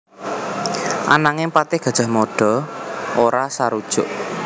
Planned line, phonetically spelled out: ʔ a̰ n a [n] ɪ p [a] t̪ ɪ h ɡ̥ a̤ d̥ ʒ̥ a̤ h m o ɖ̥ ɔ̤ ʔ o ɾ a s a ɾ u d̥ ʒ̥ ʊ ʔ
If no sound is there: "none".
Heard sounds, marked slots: ŋ, a

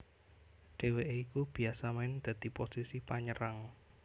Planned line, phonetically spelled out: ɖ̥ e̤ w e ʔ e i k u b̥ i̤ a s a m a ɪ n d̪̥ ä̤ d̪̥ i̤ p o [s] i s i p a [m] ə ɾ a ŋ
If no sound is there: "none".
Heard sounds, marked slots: s, ɲ

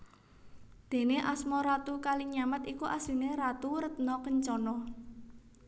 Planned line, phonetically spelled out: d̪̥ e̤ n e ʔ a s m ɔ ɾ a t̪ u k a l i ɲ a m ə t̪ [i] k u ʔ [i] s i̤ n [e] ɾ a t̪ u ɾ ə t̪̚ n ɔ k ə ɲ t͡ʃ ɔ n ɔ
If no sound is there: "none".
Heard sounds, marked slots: i, a, e

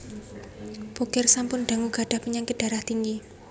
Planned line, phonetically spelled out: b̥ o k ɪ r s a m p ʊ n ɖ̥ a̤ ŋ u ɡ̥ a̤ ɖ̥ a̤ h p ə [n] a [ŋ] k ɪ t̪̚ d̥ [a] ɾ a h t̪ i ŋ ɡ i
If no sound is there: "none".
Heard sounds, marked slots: ɲ, ŋ, a

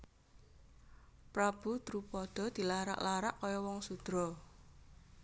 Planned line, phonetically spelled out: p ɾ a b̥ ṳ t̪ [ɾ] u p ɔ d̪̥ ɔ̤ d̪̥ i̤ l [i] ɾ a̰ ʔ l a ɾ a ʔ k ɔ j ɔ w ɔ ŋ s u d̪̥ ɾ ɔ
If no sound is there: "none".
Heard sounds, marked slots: ɾ, a

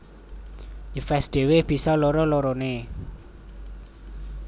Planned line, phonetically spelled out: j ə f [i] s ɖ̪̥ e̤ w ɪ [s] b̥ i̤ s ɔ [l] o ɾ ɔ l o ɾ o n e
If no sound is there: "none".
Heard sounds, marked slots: ɛ, h, l

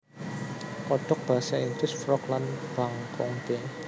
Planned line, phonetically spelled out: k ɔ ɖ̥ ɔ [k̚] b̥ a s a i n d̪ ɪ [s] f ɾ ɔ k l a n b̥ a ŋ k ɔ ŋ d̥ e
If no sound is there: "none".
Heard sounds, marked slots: k̚, s

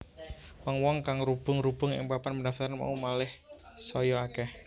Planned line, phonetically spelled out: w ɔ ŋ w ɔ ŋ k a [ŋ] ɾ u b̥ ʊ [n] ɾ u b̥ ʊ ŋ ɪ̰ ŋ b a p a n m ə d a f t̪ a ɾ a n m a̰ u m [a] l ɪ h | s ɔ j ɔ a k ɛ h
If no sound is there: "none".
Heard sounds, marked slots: ŋ, ŋ, a

